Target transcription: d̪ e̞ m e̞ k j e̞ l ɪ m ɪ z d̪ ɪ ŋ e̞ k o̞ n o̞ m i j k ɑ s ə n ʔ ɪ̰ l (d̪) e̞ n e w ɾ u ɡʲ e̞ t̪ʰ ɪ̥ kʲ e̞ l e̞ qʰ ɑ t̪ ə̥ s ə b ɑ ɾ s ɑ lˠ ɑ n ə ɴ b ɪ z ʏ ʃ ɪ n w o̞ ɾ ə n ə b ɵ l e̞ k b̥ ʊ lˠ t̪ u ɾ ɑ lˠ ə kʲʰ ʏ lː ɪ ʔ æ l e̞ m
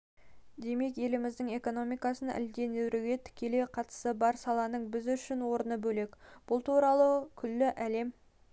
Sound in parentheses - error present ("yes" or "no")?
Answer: no